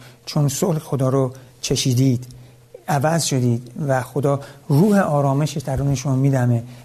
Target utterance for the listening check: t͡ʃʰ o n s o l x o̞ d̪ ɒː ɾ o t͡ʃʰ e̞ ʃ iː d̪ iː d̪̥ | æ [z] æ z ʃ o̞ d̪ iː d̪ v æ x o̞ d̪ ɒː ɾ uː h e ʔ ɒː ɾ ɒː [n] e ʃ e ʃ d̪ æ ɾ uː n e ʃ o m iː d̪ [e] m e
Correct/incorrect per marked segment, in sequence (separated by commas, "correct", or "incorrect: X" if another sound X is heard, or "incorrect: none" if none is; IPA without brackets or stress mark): incorrect: v, incorrect: m, incorrect: æ